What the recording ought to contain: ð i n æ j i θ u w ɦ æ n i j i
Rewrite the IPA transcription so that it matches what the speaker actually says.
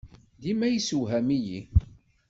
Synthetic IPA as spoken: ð i m æ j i s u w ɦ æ m i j i